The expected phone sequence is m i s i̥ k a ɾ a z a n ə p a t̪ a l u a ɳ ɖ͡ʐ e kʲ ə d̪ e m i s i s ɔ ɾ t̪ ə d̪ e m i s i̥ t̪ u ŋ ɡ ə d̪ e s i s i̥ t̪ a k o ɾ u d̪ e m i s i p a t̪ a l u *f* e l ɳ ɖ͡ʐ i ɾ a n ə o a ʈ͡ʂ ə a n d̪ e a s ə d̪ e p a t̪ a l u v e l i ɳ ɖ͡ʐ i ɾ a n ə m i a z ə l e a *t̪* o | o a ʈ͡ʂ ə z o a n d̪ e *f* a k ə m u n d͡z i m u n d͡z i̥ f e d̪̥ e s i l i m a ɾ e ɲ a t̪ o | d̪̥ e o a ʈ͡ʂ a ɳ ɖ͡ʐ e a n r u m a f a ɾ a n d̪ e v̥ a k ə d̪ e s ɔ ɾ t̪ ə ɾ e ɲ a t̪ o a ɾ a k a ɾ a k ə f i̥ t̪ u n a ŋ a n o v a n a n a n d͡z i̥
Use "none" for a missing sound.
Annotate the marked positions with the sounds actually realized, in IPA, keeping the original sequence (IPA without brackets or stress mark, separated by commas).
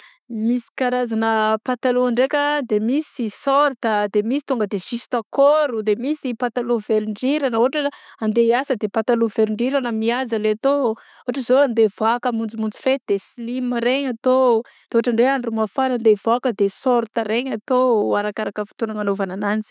v, t̪, v